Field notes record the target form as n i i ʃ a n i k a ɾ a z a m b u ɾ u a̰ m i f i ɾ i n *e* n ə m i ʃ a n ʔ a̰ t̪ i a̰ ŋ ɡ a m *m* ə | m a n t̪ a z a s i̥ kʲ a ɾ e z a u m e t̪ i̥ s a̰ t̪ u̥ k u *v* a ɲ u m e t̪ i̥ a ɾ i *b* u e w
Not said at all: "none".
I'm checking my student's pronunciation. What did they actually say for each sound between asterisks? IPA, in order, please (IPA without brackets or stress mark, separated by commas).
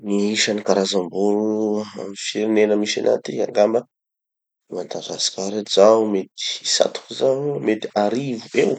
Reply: e, b, z, v